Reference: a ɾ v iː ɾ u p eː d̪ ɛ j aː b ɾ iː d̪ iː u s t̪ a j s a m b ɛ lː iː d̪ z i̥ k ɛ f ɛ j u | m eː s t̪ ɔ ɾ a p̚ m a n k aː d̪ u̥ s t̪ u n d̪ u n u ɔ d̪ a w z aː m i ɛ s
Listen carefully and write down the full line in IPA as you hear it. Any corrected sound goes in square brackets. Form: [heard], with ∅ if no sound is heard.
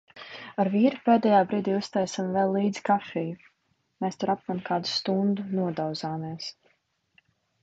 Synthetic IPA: a ɾ v iː ɾ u p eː d̪ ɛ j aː b ɾ iː d̪ iː u s t̪ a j s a m [v] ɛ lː iː d̪ z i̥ k [a] f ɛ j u | m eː s t̪ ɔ ɾ a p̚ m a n k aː d̪ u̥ s t̪ u n d̪ u n u ɔ d̪ a w z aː m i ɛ s